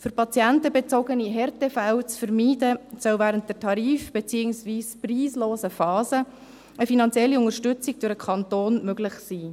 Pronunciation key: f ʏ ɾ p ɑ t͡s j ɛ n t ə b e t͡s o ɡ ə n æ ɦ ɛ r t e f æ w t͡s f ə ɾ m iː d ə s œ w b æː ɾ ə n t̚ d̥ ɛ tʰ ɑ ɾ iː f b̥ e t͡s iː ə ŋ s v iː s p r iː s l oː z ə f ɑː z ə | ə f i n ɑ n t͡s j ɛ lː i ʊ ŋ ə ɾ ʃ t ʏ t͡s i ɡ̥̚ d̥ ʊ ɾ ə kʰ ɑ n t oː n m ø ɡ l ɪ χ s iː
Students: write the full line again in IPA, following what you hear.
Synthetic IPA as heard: f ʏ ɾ p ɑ t͡s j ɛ n t ə b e t͡s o ɡ ə n i ɦ ɛ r t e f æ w t͡s f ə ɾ m iː d ə s œ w v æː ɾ ə n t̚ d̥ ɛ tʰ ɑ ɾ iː f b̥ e t͡s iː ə ŋ s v iː s p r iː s l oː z ə f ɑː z ə | ə f i n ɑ n t͡s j ɛ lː i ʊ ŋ ə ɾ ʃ t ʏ t͡s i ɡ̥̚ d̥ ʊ ɾ ə kʰ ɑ n t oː n m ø ɡ l ɪ χ s iː